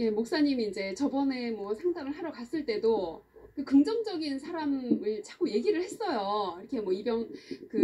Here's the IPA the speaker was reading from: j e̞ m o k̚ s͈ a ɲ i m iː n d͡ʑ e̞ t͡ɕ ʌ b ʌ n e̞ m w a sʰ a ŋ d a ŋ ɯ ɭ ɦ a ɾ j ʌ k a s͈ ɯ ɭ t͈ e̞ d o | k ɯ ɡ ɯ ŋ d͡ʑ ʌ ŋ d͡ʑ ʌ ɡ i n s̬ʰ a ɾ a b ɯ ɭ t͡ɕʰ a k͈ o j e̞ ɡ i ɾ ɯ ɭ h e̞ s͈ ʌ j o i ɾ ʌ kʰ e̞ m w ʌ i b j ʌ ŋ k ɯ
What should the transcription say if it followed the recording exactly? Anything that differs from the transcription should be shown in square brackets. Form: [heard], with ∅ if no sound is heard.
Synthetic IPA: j e̞ m o k̚ s͈ a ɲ i m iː n d͡ʑ e̞ t͡ɕ ʌ b ʌ n e̞ m w [ʌ] sʰ a ŋ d a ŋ ɯ ɭ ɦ a ɾ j ʌ k a s͈ ɯ ɭ t͈ e̞ d o | k ɯ [k] ɯ ŋ d͡ʑ ʌ ŋ d͡ʑ ʌ ɡ i n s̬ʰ a ɾ a [m] ɯ ɭ t͡ɕʰ a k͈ o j e̞ ɡ i ɾ ɯ ɭ h e̞ s͈ ʌ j o i ɾ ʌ kʰ e̞ m w ʌ i b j ʌ ŋ k ɯ